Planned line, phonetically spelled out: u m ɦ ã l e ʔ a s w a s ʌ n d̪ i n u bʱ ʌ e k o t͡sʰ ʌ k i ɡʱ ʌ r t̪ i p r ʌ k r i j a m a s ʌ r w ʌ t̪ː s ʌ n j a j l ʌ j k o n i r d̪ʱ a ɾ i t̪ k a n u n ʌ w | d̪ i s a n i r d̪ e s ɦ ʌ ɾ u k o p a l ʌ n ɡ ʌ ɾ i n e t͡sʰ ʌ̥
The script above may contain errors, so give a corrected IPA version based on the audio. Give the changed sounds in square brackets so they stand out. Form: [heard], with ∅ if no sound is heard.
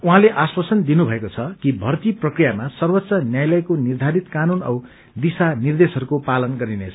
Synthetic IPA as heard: u [∅] ɦ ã l e ʔ a s w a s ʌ n d̪ i n u bʱ ʌ e k o t͡sʰ ʌ k i [bʱ] ʌ r t̪ i p r ʌ k r i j a m a s ʌ r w ʌ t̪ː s ʌ n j a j l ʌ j k o n i r d̪ʱ a ɾ i t̪ k a n u n ʌ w | d̪ i s a n i r d̪ e s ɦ ʌ ɾ u k o p a l ʌ n ɡ ʌ ɾ i n e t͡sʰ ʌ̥